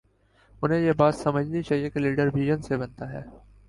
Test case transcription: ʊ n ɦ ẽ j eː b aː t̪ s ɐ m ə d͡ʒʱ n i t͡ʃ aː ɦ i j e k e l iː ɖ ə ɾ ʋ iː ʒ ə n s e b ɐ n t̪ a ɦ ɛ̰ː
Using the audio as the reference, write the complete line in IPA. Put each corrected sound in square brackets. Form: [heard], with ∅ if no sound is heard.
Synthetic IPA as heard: ʊ n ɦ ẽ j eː b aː t̪ s ɐ m ə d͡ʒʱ n i t͡ʃ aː ɦ i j e k e l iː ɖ ə ɾ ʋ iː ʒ ə n s e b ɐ n t̪ a ɦ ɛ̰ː